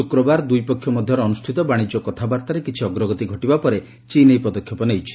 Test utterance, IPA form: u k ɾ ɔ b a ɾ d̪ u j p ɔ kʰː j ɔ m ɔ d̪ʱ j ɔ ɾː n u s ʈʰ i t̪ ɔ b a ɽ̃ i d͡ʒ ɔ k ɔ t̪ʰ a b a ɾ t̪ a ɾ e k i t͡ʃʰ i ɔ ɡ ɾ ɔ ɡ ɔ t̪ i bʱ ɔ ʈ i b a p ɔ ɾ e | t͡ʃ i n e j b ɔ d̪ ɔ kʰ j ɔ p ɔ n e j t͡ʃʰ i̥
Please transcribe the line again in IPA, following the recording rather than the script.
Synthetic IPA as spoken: u k ɾ ɔ b a ɾ d̪ u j p ɔ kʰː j ɔ m ɔ d̪ʱ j ɔ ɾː n u s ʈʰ i t̪ ɔ b a ɽ̃ i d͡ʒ ɔ k ɔ t̪ʰ a b a ɾ t̪ a ɾ e k i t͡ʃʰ i ɔ ɡ ɾ ɔ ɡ ɔ t̪ i ɡʱ ɔ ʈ i b a p ɔ ɾ e | t͡ʃ i n e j p ɔ d̪ ɔ kʰ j ɔ p ɔ n e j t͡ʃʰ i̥